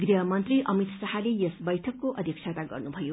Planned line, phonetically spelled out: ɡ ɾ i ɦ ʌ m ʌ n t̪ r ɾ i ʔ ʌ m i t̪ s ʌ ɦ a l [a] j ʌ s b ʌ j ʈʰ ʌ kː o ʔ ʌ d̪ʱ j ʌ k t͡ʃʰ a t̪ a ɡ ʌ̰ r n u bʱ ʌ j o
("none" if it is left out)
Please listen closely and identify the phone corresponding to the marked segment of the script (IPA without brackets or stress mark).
e